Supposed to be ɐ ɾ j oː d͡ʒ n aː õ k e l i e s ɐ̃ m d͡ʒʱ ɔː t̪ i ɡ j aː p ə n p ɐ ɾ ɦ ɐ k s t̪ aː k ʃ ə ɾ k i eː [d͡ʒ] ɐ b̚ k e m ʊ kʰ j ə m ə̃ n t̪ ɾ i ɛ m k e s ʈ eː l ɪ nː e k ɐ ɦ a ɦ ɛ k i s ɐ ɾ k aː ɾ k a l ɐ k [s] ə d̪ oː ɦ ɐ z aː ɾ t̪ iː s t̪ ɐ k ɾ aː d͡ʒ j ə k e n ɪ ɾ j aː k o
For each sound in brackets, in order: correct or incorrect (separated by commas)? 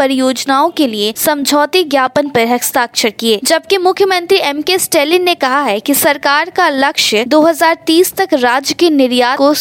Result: correct, incorrect